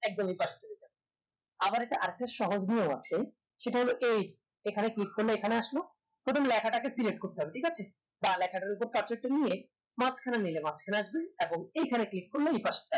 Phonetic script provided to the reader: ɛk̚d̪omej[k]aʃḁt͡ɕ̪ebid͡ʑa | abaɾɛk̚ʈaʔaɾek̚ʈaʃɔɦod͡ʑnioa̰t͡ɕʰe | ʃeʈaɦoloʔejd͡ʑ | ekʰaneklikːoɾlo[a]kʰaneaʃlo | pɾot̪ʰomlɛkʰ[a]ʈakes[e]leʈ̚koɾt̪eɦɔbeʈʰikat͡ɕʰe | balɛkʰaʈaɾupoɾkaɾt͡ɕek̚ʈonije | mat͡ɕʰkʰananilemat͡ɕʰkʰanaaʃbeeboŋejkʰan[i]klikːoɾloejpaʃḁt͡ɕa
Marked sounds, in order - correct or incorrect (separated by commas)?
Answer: incorrect, incorrect, correct, incorrect, incorrect